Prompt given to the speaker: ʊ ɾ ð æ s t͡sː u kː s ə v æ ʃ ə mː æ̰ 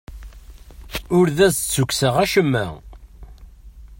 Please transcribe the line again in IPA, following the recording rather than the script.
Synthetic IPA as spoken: ʊ ɾ ð æ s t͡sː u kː s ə ʁ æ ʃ ə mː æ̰